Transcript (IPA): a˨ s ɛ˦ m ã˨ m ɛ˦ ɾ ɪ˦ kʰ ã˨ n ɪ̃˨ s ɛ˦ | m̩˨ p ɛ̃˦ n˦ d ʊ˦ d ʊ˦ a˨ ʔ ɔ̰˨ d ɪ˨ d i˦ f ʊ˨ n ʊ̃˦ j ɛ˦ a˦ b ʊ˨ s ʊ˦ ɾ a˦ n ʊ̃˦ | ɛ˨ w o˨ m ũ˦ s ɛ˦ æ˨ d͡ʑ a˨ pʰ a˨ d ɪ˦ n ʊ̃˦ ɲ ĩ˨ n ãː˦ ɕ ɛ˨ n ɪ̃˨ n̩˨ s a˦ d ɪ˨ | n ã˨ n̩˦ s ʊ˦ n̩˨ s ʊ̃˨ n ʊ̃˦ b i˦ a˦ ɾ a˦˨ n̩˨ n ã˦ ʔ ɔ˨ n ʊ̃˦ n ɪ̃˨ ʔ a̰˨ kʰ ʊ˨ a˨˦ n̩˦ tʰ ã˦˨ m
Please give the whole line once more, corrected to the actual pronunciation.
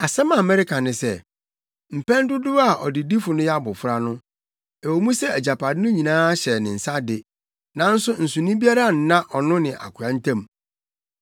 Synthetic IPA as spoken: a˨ s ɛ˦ m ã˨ m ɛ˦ ɾ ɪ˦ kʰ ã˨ n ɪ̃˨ s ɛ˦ | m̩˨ p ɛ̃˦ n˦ d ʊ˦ d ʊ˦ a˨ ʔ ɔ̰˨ d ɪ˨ d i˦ f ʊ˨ n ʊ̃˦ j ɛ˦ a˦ b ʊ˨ f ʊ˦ ɾ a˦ n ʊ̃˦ | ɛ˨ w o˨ m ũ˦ s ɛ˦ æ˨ d͡ʑ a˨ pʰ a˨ d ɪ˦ n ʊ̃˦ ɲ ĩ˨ n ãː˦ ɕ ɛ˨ n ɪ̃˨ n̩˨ s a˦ d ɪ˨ | n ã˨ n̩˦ s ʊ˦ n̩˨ s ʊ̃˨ n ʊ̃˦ b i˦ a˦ ɾ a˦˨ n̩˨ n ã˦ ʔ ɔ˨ n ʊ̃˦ n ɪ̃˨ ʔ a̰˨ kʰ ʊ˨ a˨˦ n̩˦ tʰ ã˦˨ m